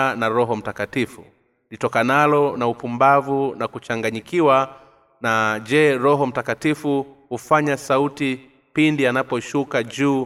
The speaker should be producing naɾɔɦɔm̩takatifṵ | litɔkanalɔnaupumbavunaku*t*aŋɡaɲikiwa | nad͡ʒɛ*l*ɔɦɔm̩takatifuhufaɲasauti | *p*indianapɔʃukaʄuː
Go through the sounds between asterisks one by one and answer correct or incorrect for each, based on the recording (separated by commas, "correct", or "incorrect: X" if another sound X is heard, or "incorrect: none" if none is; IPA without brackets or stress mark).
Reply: incorrect: t͡ʃ, incorrect: ɾ, correct